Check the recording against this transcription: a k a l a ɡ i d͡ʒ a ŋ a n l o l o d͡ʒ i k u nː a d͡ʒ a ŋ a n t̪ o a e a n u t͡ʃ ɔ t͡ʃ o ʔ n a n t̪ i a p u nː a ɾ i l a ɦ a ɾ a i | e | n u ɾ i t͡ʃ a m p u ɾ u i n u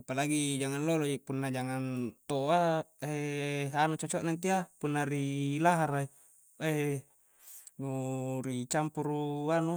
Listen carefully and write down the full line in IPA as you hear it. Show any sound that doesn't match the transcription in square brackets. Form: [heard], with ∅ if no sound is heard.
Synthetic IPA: a [p] a l a ɡ i d͡ʒ a ŋ a n l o l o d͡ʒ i [p] u nː a d͡ʒ a ŋ a n t̪ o a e a n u t͡ʃ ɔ t͡ʃ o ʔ n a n t̪ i a p u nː a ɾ i l a ɦ a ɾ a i | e | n u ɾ i t͡ʃ a m p u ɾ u [a] n u